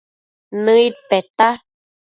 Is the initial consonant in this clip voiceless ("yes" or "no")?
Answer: no